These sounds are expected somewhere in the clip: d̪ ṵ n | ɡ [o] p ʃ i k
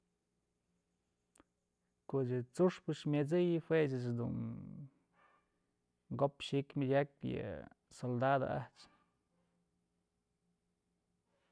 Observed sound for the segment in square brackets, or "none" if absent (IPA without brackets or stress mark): o